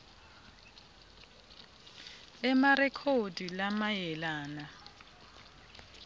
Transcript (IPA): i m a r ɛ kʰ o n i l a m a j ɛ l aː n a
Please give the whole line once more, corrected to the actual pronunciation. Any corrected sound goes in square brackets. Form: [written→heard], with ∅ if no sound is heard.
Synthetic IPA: [i→ɛ] m a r ɛ kʰ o [n→d] i l a m a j ɛ l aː n a